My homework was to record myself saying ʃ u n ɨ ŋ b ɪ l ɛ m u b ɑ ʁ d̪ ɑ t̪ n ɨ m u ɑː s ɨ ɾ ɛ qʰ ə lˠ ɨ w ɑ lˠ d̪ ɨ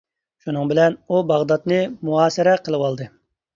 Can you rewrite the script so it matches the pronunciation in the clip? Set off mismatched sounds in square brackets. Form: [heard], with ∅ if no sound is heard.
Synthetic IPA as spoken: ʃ u n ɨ ŋ b ɪ l ɛ [n] u b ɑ ʁ d̪ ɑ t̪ n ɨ m u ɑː s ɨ ɾ ɛ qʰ ə lˠ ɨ w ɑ lˠ d̪ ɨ